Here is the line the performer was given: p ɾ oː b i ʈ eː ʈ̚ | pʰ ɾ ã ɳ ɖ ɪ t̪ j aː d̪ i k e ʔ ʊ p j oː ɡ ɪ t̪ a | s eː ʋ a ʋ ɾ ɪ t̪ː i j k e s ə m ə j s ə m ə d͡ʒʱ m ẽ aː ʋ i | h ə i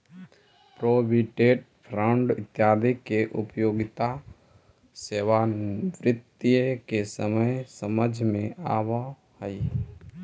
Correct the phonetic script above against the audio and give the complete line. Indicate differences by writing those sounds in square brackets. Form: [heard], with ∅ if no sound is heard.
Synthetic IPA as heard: p ɾ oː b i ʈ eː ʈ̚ | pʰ ɾ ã ɳ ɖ ɪ t̪ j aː d̪ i k e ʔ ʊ p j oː ɡ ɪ t̪ a | s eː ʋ a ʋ ɾ ɪ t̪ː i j k e s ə m ə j s ə m ə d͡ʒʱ m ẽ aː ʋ [a] | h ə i